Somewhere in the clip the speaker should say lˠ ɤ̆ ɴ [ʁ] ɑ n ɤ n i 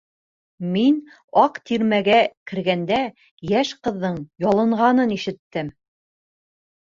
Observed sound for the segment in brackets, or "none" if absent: ʁ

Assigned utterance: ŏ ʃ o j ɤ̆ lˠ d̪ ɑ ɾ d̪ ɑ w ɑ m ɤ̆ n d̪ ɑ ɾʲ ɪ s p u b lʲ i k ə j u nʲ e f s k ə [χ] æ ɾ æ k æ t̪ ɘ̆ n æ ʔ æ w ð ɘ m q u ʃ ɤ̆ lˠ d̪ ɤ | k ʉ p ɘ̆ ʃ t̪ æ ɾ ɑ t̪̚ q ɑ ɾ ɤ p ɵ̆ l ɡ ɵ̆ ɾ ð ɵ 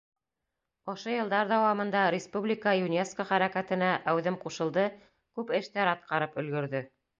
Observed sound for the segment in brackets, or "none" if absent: χ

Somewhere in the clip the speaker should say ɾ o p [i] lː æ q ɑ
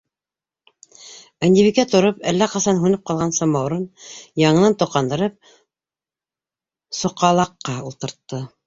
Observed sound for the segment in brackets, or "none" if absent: æ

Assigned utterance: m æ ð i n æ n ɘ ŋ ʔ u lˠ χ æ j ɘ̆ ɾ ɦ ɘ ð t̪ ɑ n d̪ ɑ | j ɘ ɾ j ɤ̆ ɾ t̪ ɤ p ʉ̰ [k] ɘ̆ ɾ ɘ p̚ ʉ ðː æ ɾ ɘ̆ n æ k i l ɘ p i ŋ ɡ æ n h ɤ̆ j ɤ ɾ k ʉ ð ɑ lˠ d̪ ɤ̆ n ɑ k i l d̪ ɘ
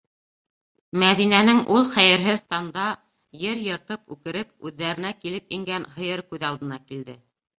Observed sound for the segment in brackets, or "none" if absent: k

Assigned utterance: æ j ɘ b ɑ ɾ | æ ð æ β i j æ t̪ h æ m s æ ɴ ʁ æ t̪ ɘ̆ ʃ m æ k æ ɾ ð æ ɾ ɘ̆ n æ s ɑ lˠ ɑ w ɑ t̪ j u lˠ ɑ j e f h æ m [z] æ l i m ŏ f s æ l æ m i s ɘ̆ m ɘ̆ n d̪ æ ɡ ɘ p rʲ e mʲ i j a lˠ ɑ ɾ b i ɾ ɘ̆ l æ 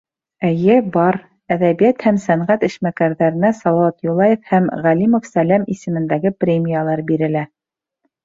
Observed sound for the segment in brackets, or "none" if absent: ʁ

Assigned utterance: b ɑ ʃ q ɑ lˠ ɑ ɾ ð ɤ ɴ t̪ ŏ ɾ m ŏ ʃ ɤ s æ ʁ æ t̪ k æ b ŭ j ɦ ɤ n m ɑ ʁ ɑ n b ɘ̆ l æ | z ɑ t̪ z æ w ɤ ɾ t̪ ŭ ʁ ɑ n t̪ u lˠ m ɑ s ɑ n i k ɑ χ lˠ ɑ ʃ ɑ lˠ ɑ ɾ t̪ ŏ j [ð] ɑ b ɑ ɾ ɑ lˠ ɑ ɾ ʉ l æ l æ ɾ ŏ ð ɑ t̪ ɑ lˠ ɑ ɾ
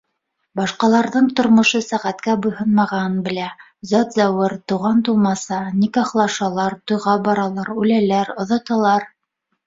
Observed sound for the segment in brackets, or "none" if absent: ʁ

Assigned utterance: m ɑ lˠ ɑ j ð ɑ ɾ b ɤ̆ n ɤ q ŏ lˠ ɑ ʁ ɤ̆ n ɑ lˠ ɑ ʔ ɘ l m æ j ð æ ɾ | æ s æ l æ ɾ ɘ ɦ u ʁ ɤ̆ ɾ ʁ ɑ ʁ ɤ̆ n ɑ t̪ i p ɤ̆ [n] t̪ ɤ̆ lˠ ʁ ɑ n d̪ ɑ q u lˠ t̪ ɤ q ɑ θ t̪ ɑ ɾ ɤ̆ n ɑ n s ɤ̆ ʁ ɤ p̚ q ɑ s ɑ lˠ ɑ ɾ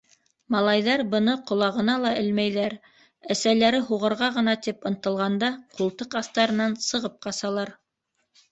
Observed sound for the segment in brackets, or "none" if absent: n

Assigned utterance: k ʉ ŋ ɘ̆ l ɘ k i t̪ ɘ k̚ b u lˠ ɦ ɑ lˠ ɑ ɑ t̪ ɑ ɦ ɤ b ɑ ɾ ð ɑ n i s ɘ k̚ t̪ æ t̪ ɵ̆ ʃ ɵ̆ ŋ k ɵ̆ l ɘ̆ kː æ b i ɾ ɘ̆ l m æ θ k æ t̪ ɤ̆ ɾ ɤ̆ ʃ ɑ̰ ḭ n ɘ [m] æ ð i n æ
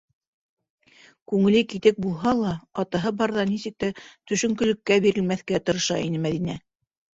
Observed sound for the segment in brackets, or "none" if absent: m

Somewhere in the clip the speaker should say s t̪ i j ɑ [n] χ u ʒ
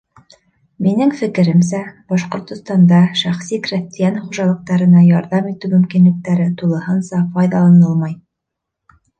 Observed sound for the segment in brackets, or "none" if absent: n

